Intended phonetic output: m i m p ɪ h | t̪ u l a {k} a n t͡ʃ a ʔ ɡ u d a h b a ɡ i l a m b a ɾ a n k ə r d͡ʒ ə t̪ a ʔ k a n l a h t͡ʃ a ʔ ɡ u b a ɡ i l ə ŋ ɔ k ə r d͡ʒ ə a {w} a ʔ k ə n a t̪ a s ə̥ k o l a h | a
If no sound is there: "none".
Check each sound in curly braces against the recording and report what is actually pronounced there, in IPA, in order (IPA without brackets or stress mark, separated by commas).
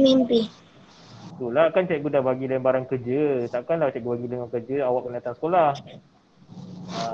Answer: k, w